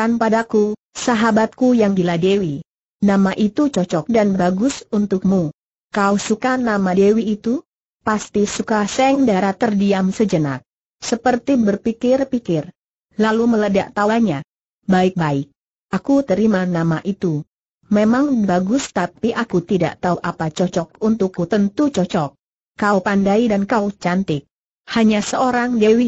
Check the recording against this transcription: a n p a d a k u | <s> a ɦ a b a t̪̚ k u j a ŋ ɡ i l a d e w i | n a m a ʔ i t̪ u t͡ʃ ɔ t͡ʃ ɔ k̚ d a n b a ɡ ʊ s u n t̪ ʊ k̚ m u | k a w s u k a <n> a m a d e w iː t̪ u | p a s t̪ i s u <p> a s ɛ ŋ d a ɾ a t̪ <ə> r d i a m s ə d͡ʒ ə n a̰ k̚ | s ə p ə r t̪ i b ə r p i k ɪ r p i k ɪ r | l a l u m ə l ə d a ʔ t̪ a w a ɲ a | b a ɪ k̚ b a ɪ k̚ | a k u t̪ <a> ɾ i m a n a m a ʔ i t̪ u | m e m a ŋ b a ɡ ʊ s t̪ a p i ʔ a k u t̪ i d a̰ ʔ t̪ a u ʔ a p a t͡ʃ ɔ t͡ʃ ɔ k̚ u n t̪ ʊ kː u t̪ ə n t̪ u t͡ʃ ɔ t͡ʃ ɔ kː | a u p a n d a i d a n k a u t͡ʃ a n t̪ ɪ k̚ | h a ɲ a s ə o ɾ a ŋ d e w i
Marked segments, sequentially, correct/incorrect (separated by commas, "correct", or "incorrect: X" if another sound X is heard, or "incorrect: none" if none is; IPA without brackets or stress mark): correct, correct, incorrect: k, correct, incorrect: ə